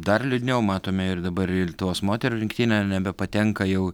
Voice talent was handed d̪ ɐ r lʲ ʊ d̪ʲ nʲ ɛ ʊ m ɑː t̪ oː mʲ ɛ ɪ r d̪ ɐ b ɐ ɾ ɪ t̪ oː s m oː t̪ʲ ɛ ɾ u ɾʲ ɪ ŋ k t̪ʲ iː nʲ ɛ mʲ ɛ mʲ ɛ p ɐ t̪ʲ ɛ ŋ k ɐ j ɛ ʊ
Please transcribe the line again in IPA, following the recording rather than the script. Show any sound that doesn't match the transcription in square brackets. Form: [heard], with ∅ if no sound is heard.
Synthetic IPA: d̪ ɐ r lʲ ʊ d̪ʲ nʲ ɛ ʊ m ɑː t̪ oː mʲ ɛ ɪ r d̪ ɐ b ɐ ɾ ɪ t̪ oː s m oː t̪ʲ ɛ ɾ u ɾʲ ɪ ŋ k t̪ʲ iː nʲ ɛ [nʲ] ɛ [bʲ] ɛ p ɐ t̪ʲ ɛ ŋ k ɐ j ɛ ʊ